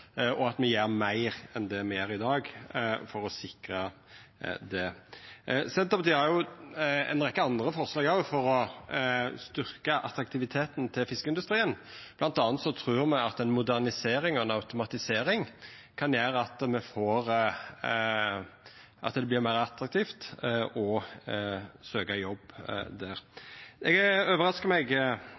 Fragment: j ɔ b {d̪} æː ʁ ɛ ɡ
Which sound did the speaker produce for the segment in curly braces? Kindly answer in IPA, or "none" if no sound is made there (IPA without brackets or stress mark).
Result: d̪